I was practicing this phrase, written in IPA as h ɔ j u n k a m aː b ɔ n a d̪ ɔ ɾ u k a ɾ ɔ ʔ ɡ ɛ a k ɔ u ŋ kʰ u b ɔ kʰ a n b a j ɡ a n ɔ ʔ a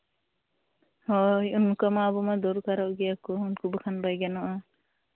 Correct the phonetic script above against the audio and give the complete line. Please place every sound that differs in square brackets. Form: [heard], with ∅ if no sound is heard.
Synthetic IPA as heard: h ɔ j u n k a m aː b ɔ [m] a d̪ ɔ ɾ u k a ɾ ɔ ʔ ɡ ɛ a k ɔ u [n] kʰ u b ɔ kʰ a n b a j ɡ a n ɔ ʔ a